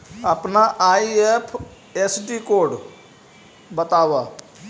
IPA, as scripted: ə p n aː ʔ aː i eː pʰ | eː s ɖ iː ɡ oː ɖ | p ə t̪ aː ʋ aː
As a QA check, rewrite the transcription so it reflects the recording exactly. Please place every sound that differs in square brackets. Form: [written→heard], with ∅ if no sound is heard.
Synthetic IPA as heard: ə p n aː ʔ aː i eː pʰ | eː s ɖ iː [ɡ→k] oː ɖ | [p→b] ə t̪ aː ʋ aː

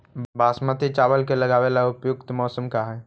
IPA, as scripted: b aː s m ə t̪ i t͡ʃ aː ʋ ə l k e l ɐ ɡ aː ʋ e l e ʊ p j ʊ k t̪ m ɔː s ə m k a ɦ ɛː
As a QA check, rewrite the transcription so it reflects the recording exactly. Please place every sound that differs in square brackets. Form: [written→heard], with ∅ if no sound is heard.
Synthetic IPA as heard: b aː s m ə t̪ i t͡ʃ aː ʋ ə l k e l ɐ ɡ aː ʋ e l [e→a] ʊ p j ʊ k t̪ m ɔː s ə m k a ɦ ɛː

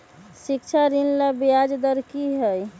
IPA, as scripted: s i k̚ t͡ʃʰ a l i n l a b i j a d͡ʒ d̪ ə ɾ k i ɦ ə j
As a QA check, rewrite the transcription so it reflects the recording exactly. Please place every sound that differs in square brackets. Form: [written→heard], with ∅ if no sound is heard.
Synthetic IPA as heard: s i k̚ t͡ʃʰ a [l→ɾ] i n l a b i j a d͡ʒ d̪ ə ɾ k i ɦ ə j

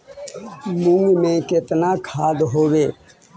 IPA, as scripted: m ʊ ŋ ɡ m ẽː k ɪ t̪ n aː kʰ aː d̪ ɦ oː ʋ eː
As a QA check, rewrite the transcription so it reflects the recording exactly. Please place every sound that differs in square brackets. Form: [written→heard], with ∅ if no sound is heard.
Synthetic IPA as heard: m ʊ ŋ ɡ m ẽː k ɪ t̪ n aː kʰ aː d̪ ɦ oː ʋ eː

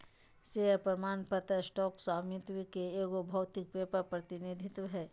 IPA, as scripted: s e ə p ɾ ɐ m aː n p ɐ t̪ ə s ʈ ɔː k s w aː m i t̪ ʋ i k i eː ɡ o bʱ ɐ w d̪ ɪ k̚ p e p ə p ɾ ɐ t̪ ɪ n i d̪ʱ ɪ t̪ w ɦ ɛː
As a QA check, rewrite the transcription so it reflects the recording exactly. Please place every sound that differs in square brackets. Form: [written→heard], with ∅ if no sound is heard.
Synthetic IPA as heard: s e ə p ɾ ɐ m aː n p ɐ t̪ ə s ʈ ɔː k s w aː m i t̪ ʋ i k [i→e] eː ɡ o bʱ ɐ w [d̪→t̪] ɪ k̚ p e p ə p ɾ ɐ t̪ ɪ n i d̪ʱ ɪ t̪ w ɦ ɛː

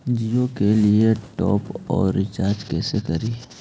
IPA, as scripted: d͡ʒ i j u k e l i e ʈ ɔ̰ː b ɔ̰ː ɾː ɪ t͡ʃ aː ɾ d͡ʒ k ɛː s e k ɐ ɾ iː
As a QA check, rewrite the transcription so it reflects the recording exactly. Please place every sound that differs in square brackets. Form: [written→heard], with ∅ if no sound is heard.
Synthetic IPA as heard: d͡ʒ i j [u→o] k e l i e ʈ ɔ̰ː [b→p] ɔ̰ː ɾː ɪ t͡ʃ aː ɾ d͡ʒ k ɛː s e k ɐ ɾ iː

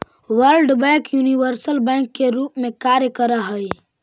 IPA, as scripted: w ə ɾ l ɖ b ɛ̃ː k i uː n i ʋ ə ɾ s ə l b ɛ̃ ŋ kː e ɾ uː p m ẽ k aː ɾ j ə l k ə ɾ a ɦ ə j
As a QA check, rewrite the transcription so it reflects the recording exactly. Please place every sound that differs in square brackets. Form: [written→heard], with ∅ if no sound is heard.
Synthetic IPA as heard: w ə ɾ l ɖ b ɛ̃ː k [i→j] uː n i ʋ ə ɾ s ə l b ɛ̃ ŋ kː e ɾ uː p m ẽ k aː ɾ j ə [l→∅] k ə ɾ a ɦ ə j

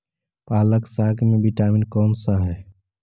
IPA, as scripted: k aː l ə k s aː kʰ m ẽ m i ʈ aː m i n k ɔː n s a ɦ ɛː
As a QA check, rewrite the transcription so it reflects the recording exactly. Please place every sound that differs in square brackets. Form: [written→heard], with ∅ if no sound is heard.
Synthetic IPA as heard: [k→p] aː l ə k s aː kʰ m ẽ [m→b] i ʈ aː m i n k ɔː n s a ɦ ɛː

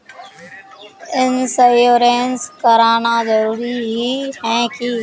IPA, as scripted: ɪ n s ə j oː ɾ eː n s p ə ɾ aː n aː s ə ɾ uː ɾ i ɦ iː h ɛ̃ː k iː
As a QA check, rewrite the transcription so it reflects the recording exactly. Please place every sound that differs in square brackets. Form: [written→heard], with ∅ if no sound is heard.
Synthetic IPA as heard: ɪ n s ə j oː ɾ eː n s [p→k] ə ɾ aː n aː [s→z] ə ɾ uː ɾ i ɦ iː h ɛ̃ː k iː

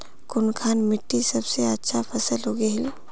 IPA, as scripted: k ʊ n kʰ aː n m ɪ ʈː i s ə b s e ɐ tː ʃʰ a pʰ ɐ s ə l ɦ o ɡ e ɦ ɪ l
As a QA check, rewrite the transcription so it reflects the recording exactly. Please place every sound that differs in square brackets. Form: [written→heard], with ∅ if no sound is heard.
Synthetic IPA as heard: k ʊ n kʰ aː n m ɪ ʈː i s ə b s e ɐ tː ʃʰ a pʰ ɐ s ə l ɦ o ɡ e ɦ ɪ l

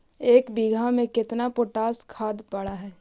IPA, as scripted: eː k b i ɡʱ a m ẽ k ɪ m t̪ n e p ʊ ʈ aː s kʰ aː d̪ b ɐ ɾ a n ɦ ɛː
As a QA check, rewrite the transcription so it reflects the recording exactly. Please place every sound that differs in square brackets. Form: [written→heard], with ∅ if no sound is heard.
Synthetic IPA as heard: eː k b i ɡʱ a m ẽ k ɪ [m→∅] t̪ n [e→a] p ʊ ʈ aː s kʰ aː d̪ [b→p] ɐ [ɾ→ɽ] a [n→∅] ɦ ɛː

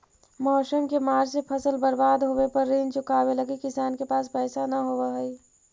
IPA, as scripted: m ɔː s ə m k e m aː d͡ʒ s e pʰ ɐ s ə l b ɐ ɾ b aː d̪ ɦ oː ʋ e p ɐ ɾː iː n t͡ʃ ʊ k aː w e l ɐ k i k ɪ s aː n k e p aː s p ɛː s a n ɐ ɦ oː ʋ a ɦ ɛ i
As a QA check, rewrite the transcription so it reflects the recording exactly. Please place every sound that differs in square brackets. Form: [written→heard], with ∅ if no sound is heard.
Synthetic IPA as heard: m ɔː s ə m k e m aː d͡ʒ s e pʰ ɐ s ə l b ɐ ɾ b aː d̪ ɦ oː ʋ e p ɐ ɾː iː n t͡ʃ ʊ k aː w e l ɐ [k→ɡ] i k ɪ s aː n k e p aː s p ɛː s a n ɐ ɦ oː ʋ a ɦ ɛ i

